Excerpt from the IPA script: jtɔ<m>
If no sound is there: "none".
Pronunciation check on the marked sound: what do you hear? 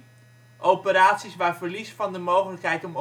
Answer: m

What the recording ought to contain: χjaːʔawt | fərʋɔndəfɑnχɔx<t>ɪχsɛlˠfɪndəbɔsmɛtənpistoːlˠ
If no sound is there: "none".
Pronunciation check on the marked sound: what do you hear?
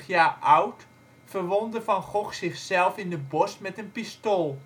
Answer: s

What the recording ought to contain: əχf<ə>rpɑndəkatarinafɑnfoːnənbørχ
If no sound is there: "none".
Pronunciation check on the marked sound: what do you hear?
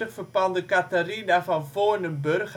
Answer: ə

